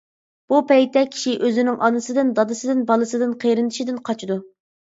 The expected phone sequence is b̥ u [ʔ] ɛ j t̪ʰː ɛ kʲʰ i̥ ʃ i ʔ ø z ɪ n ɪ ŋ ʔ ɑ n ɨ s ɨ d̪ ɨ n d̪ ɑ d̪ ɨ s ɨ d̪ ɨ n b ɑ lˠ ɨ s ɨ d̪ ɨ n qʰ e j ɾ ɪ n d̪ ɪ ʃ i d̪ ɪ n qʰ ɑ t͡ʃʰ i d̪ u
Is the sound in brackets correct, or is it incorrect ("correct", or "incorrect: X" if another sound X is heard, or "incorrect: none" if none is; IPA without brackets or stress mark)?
incorrect: p